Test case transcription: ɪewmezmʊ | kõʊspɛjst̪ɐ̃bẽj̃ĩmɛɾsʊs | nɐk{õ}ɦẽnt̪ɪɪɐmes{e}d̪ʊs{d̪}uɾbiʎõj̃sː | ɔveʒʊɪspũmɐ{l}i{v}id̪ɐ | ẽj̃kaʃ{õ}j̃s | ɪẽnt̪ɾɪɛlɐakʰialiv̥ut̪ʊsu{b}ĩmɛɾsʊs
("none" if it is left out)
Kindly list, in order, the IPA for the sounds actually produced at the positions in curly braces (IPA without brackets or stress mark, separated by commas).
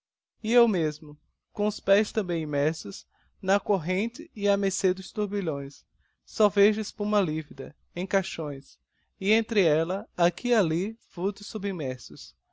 o, e, t̪, l, v, õ, b